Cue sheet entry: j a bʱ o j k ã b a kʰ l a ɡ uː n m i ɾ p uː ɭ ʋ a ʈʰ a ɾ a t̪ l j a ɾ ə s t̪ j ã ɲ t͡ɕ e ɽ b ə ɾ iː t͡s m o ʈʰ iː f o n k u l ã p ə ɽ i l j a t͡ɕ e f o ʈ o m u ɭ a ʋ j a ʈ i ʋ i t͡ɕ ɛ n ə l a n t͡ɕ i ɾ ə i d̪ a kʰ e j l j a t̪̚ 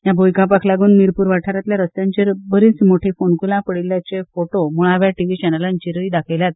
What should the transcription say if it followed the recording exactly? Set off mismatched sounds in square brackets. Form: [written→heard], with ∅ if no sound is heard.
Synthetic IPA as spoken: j a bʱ o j k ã [b→p] a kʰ l a ɡ uː n m i ɾ p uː [ɭ→ɾ] ʋ a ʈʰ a ɾ a t̪ l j a ɾ ə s t̪ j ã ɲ t͡ɕ e [ɽ→ɾ] b ə ɾ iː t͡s m o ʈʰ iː f o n k u l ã p ə ɽ i l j a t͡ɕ e f o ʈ o m u ɭ a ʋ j a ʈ i ʋ i t͡ɕ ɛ n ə l a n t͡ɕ i ɾ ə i d̪ a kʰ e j l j a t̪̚